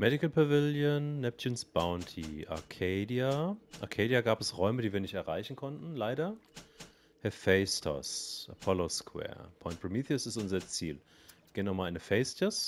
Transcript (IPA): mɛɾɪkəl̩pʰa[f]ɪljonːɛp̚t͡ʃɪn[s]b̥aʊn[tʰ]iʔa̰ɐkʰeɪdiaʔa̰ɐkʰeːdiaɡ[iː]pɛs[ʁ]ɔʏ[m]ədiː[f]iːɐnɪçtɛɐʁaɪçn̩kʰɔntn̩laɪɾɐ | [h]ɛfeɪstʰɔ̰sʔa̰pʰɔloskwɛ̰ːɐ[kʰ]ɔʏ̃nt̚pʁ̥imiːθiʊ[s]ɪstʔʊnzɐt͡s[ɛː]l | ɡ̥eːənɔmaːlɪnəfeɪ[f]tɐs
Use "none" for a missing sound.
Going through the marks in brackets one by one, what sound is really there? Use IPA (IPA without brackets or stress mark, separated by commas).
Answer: v, s, tʰ, aː, ʁ, m, v, h, pʰ, s, iː, s